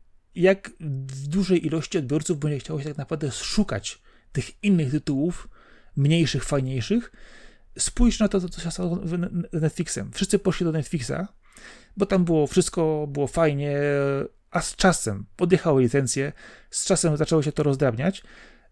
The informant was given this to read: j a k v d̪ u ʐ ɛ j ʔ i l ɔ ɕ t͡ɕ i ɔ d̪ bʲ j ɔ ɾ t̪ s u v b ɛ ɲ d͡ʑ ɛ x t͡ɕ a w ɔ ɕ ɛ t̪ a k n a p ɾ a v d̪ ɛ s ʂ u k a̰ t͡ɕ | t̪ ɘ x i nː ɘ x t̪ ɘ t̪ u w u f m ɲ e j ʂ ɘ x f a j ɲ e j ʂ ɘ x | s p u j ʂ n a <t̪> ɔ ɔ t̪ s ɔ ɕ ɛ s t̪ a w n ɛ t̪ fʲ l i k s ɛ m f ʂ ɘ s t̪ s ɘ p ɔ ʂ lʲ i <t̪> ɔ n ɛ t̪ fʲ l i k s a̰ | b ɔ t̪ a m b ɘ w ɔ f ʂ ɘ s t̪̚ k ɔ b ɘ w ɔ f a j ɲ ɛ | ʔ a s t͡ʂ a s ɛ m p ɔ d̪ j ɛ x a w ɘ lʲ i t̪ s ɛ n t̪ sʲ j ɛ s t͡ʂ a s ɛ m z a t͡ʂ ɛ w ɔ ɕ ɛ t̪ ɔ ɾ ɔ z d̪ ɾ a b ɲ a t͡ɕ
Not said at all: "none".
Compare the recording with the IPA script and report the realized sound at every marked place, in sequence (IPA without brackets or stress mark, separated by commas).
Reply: t̪, d̪